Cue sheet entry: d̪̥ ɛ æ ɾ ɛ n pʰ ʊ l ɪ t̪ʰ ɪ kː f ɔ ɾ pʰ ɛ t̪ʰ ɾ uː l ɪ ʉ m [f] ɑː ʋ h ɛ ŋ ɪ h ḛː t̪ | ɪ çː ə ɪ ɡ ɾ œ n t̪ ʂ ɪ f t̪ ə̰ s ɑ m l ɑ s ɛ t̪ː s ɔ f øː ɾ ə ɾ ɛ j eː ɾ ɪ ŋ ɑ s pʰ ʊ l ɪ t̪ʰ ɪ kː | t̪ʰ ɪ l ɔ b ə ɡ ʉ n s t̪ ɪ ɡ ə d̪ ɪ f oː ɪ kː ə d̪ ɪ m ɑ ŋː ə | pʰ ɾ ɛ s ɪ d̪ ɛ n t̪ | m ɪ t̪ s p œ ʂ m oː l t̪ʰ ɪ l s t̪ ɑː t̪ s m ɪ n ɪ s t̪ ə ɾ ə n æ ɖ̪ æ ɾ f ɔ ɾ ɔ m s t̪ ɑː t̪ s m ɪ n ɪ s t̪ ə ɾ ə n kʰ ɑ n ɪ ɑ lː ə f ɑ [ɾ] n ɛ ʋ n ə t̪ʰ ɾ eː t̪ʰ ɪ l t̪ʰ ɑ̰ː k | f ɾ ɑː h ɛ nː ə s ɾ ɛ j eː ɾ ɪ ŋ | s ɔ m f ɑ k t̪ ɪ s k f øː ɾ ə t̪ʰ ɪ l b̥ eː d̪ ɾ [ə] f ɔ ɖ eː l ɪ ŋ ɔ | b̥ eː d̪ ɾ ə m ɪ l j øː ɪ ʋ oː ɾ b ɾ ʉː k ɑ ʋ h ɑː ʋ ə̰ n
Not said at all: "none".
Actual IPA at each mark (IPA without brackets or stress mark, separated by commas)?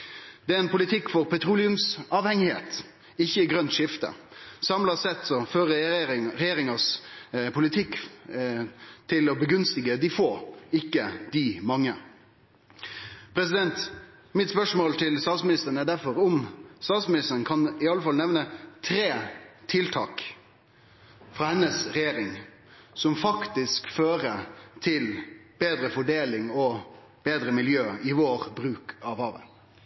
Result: s, l, ə